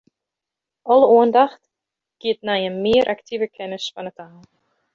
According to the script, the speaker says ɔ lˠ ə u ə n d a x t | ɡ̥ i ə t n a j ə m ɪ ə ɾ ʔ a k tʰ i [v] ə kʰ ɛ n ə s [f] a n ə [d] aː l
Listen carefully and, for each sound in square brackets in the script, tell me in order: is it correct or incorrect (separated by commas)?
correct, correct, incorrect